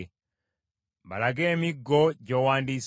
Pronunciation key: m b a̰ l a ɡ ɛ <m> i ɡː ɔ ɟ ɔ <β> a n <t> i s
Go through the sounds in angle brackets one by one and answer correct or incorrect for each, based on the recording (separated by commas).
correct, incorrect, incorrect